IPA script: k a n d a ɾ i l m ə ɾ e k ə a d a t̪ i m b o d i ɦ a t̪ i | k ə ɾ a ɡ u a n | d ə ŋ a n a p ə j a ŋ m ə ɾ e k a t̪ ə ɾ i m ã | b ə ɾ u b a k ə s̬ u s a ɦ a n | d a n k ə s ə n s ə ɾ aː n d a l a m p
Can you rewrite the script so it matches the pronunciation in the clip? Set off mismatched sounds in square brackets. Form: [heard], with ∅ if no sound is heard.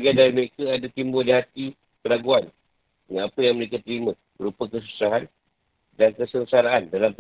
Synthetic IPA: [ɡ] a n d a ɾ i [∅] m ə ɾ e k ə a d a t̪ i m b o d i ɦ a t̪ i | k ə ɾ a ɡ u a n | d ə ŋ a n a p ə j a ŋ m ə ɾ e k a t̪ ə ɾ i m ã | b ə ɾ u [p] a k ə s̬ u s a ɦ a n | d a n k ə s ə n s [a] ɾ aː n d a l a m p